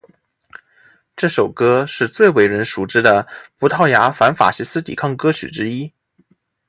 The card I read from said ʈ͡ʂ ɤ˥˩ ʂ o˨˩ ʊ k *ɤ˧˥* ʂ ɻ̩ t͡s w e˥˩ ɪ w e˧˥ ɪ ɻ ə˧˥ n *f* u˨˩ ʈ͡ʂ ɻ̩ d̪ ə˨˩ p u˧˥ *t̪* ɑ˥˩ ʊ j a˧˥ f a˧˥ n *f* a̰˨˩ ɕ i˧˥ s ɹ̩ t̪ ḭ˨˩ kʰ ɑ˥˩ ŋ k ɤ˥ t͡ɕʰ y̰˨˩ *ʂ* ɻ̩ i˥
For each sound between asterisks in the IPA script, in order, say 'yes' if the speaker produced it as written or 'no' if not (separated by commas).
no, no, no, yes, no